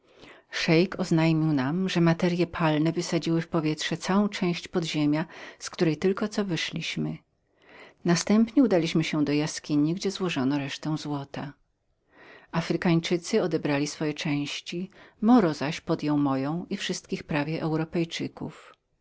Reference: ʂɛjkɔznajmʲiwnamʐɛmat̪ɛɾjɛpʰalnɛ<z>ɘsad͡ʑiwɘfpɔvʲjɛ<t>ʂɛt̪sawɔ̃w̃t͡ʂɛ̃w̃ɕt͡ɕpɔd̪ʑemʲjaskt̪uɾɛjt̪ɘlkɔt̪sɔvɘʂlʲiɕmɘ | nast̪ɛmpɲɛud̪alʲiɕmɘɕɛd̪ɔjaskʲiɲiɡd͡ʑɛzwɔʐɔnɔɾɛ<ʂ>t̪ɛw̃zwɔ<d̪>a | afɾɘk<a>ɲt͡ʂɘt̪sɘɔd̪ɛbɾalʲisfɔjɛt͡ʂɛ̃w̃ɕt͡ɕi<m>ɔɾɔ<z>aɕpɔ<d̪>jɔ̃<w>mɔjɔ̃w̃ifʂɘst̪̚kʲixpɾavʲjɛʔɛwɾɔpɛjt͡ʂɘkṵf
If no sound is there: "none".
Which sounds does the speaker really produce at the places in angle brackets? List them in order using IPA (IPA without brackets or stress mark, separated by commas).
v, t, ʂ, t̪, a, m, z, d̪, w